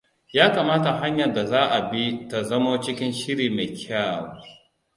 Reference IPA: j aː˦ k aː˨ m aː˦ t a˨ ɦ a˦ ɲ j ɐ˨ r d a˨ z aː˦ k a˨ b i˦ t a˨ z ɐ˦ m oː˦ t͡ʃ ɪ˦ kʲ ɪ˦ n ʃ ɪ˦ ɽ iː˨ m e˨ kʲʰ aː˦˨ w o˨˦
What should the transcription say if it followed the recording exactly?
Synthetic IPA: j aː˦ k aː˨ m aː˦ t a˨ ɦ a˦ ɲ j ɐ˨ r d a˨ z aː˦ ʔ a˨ b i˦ t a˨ z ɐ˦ m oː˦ t͡ʃ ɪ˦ kʲ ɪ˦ n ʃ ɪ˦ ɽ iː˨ m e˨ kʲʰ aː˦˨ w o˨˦